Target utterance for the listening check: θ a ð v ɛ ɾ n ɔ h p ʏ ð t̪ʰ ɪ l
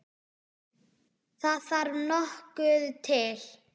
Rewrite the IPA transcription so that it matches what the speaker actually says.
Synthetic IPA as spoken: θ a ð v a ɾ n ɔ h k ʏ ð t̪ʰ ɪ l

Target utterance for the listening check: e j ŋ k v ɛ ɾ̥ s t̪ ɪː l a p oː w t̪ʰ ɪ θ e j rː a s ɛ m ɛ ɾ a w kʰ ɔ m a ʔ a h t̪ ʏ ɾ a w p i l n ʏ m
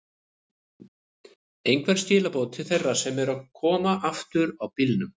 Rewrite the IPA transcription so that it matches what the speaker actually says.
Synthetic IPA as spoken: e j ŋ k v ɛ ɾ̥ s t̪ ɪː l a p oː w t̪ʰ ɪ θ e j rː a s ɛ m ɛ ɾ a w kʰ ɔː m a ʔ a f t̪ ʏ ɾ a w p i l n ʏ m

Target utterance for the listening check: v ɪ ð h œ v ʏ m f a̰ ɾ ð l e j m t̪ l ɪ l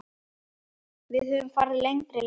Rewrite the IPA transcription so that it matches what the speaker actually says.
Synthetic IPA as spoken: v ɪ ð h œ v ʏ m f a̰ ɾ ð l e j ŋ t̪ ɾ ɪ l

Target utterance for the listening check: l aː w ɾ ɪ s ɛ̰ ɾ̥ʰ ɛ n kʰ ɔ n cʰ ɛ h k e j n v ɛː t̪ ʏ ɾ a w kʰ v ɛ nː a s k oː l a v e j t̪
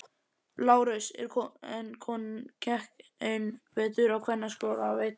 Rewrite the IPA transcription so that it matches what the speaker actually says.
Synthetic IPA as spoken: l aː w ɾ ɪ s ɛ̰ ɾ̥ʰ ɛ n kʰ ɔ n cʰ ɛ h k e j n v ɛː t̪ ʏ ɾ a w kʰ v ɛ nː a s k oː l a v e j t̪

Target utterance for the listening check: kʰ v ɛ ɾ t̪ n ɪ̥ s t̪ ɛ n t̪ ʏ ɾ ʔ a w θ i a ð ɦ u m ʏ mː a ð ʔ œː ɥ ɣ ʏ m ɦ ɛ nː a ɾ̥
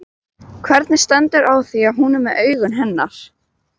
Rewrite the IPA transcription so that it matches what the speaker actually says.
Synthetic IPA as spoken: kʰ v ɛ ɾ t̪ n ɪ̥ s t̪ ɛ n t̪ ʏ ɾ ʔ a w θ i a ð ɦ u n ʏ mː ɛ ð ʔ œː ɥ ɣ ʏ n ɦ ɛ nː a ɾ̥

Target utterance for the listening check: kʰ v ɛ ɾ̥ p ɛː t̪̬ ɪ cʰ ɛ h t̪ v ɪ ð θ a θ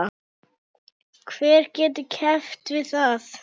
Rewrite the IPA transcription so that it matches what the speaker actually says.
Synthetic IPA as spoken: kʰ v ɛː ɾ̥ c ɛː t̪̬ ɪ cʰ ɛ f t̪ v ɪ ð θ a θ

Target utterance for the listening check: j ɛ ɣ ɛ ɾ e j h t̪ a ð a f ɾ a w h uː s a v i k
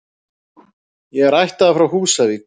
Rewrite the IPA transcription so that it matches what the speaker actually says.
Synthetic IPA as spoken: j ɛ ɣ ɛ ɾ a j h t̪ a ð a f ɾ a w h uː s a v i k

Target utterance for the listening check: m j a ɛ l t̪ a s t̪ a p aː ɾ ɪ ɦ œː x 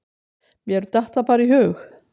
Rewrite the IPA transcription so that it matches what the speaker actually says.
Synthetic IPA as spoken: m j ɛ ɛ ɾ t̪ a h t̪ a p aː ɾ i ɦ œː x

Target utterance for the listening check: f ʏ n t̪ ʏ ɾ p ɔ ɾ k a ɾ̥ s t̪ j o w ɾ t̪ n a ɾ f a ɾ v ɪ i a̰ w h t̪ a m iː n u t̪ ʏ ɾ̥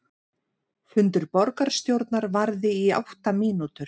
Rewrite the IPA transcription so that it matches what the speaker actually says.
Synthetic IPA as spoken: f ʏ n t̪ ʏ ɾ p ɔ ɾ k a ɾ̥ s t̪ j o w ɾ t̪ n a ɾ v a ɾ ð ɪ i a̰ w h t̪ a m iː n u t̪ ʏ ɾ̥

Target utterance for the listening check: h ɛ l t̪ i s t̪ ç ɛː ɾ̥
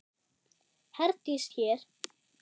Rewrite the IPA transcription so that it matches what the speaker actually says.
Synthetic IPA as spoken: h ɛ ɾ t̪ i s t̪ ç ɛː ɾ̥

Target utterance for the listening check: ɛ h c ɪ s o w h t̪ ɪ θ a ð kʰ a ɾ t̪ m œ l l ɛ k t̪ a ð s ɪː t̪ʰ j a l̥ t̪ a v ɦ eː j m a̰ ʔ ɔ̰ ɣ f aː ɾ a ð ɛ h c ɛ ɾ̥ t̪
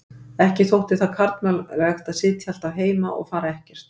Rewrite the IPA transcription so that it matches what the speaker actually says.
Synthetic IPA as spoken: ɛ h c ɪ θ o w h t̪ ɪ θ a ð kʰ a ɾ t̪ m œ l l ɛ x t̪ a ð s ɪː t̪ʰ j a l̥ t̪ a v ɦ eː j m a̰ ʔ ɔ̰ ɣ f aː ɾ a ɛ h c ɛ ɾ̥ t̪

